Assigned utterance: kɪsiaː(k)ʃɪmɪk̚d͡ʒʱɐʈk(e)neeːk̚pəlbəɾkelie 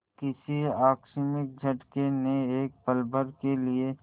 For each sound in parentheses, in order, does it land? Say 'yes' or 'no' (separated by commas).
yes, yes